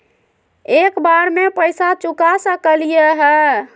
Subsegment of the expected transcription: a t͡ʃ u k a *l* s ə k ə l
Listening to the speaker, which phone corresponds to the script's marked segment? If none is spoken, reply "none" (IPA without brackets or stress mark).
none